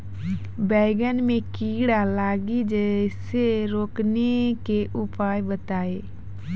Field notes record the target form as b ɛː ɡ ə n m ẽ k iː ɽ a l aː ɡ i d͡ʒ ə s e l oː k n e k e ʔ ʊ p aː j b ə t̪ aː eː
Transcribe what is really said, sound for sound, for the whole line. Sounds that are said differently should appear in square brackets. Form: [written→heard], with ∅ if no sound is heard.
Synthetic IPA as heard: b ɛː ɡ ə n m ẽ k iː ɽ a l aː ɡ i d͡ʒ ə s e [l→ɾ] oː k n e k e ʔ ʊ p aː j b ə t̪ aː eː